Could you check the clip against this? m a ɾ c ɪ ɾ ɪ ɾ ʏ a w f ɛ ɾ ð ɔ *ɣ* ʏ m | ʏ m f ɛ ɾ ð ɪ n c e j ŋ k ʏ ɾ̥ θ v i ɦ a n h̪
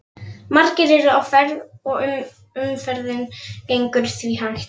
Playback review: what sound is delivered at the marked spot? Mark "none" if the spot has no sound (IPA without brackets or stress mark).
ɣ